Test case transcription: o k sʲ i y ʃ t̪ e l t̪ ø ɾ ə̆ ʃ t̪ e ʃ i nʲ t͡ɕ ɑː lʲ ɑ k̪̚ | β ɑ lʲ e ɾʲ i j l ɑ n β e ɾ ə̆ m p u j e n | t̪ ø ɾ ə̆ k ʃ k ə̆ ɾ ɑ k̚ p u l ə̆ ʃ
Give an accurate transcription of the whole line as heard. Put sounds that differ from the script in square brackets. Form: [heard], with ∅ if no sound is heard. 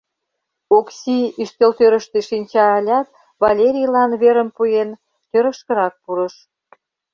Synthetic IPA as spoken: o k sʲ i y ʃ t̪ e l t̪ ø ɾ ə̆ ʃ t̪ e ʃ i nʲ t͡ɕ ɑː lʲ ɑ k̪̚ | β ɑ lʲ e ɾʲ i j l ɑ n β e ɾ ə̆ m p u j e n | t̪ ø ɾ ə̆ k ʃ k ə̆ ɾ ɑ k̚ p u [ɾ] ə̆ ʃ